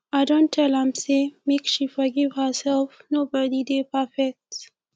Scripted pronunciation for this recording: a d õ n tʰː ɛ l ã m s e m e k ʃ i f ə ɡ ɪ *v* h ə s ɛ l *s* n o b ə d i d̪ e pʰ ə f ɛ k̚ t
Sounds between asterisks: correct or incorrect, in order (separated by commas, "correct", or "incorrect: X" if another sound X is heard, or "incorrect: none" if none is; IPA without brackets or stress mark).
correct, incorrect: f